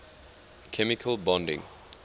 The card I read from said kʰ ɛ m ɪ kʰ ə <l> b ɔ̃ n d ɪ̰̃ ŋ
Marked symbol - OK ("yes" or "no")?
yes